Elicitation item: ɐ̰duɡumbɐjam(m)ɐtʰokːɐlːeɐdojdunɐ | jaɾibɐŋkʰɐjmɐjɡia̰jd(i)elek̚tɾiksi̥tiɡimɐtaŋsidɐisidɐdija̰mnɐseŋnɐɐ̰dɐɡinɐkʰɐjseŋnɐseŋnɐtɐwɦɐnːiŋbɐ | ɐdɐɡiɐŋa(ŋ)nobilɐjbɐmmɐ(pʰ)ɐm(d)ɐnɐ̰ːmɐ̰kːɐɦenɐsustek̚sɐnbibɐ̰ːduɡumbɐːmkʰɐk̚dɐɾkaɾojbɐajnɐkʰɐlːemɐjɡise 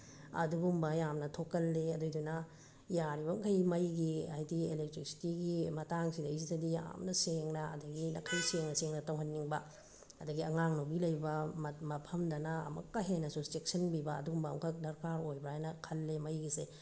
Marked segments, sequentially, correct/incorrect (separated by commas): incorrect, correct, correct, correct, correct